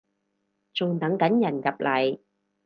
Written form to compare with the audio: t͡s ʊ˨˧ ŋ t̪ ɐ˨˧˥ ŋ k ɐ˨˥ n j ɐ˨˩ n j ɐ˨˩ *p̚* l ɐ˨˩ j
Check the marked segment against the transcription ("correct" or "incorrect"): correct